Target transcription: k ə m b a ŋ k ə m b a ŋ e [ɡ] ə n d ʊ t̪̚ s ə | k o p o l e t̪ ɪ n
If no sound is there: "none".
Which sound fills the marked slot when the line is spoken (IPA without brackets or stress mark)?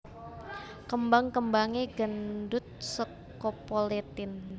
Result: ɡ